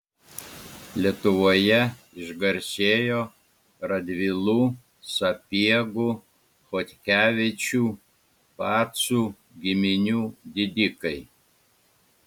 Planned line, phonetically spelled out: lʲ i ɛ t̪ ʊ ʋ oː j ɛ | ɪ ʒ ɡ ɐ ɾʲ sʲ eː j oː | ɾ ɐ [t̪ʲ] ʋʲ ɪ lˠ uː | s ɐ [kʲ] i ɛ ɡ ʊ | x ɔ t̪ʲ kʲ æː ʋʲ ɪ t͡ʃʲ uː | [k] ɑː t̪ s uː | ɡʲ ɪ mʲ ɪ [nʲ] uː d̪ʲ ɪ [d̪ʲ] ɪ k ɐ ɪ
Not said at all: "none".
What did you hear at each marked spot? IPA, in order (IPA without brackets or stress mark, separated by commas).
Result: d̪ʲ, pʲ, p, nʲ, d̪ʲ